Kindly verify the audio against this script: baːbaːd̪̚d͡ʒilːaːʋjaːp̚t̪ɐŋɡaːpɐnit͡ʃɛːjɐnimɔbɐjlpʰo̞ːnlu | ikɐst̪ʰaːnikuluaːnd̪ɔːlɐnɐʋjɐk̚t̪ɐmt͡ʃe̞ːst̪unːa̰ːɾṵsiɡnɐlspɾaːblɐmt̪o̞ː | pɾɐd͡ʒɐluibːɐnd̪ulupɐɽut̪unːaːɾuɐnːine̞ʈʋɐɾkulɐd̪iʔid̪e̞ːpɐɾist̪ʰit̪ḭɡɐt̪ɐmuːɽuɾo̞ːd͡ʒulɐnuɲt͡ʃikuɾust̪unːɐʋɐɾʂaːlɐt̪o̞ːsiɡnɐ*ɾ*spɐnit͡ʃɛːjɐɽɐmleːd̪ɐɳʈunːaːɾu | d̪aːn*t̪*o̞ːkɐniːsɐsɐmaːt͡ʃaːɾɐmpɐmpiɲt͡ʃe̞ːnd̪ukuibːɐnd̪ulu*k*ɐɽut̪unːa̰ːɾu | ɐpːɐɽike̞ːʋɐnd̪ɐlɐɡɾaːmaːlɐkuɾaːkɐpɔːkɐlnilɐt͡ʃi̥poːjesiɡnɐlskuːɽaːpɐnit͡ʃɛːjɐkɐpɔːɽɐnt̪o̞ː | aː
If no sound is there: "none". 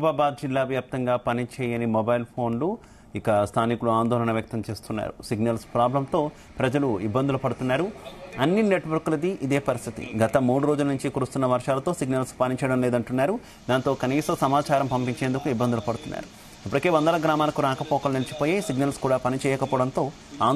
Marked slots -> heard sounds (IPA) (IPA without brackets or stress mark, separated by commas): l, t̪, p